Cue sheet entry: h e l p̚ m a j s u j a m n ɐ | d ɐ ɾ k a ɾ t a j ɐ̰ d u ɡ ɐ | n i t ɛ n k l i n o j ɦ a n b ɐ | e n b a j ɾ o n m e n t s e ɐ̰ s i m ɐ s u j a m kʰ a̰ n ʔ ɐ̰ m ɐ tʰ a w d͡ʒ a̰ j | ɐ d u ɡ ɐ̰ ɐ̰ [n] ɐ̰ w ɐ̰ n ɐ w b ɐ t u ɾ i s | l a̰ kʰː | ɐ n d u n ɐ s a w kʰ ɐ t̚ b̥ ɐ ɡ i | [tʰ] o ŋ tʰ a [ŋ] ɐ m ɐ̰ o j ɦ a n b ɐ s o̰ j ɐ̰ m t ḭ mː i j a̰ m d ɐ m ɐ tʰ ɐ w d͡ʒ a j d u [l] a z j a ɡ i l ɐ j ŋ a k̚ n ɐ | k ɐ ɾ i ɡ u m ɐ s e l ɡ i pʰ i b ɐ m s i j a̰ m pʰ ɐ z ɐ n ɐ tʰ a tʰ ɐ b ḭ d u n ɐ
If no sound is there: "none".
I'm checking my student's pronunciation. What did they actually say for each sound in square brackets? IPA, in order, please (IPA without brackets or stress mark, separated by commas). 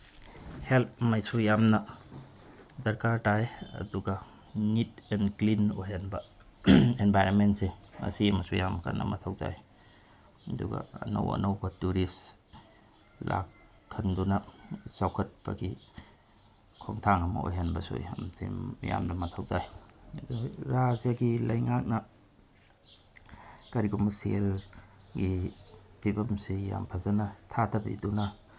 n, kʰ, ŋ, ɾ